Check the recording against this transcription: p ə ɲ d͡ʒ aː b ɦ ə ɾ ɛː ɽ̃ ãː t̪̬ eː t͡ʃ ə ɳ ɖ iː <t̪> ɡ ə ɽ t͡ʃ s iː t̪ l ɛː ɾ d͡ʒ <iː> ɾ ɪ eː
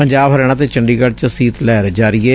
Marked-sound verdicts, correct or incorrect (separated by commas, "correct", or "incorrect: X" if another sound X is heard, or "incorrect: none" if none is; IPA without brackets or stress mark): incorrect: none, incorrect: aː